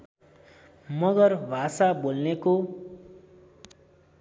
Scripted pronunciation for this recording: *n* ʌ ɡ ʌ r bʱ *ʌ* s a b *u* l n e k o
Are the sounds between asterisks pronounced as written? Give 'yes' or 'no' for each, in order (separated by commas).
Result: no, no, no